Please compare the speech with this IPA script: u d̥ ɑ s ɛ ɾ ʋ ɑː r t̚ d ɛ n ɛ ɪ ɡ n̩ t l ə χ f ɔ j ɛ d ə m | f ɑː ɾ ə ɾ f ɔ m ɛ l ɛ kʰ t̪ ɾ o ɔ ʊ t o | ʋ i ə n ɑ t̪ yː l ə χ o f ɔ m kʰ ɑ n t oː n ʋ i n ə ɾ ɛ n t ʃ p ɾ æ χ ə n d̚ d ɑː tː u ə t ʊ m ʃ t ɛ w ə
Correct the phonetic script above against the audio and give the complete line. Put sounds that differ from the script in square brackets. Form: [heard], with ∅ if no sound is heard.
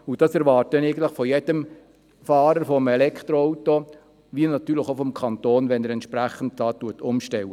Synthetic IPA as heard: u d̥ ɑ s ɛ ɾ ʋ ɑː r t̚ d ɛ n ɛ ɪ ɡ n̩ t l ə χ f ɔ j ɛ d ə m | f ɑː ɾ ə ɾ f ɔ m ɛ l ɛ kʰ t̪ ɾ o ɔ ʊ t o | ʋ i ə n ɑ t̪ yː l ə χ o f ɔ m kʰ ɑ n t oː n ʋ [ɛ] n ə ɾ ɛ n t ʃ p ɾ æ χ ə n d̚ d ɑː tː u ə t ʊ m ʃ t ɛ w ə